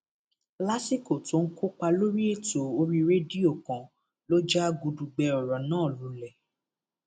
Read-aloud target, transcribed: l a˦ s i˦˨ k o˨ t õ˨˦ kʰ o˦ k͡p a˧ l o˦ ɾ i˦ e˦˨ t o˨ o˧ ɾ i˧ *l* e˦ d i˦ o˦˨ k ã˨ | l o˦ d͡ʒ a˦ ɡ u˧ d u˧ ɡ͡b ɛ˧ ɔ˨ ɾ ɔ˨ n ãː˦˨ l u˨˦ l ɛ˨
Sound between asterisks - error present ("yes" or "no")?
yes